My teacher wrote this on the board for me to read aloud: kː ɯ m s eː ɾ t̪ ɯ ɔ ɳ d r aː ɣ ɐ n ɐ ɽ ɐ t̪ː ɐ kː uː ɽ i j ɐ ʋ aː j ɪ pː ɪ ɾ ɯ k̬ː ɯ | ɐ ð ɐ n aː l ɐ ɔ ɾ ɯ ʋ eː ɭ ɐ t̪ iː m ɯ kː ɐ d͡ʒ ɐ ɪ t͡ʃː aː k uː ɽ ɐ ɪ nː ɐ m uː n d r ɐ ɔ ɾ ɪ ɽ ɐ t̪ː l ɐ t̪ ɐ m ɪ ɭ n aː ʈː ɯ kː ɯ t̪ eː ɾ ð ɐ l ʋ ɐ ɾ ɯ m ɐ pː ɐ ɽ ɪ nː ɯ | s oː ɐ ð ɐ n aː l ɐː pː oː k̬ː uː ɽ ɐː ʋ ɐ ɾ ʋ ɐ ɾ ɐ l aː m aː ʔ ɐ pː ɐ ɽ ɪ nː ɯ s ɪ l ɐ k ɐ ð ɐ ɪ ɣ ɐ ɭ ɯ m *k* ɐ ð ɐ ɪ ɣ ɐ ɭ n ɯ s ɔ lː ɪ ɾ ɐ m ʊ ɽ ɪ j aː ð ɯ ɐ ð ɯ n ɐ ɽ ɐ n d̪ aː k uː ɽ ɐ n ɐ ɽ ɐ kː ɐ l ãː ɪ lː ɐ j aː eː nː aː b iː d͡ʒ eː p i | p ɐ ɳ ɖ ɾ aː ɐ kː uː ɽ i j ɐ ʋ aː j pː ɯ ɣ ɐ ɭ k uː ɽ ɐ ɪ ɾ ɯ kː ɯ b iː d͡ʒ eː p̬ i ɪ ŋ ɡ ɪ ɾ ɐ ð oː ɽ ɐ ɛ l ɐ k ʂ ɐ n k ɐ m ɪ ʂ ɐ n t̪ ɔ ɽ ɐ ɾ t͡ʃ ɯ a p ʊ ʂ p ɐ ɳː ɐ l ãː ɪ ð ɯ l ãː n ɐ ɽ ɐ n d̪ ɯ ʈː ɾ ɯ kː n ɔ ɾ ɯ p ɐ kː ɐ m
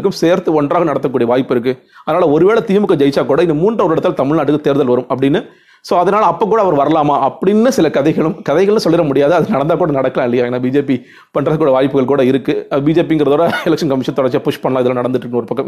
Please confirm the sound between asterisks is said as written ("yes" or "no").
yes